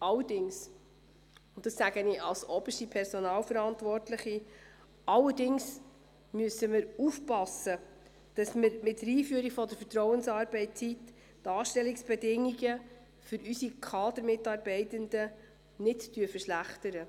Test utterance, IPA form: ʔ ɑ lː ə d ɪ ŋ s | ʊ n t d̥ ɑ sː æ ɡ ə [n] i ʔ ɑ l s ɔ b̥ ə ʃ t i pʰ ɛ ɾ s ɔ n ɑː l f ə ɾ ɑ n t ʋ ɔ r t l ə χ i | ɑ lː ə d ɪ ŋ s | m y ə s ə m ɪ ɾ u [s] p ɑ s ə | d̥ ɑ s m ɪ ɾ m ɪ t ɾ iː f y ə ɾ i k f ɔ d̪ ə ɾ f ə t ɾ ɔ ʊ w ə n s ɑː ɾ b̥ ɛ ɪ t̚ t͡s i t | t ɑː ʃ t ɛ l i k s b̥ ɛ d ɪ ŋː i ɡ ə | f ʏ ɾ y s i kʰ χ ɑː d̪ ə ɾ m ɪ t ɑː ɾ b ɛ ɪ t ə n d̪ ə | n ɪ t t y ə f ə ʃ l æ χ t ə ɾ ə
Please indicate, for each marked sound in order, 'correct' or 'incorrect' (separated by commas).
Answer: correct, incorrect